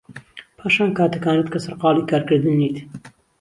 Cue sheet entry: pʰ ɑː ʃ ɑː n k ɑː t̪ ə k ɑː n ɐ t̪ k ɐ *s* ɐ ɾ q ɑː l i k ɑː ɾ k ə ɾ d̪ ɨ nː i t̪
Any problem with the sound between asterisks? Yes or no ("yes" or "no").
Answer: no